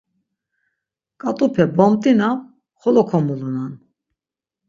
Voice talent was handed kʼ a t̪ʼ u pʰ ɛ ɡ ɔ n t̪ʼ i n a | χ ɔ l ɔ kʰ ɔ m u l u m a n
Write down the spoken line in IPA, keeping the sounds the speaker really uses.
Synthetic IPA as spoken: kʼ a t̪ʼ u pʰ ɛ b ɔ m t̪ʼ i n a | χ ɔ l ɔ kʰ ɔ m u l u n a n